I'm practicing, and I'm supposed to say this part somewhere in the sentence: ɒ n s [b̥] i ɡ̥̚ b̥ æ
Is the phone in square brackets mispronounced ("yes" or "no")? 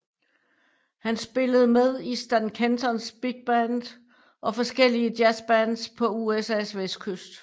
no